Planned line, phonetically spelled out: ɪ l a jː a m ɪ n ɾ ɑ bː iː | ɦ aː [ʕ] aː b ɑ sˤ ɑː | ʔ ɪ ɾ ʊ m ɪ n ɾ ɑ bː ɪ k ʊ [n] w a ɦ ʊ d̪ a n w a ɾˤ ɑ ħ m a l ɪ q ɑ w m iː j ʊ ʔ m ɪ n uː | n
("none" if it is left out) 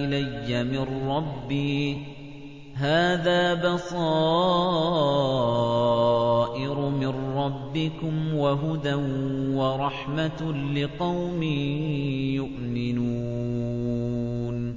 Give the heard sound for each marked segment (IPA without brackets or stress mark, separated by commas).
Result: ð, m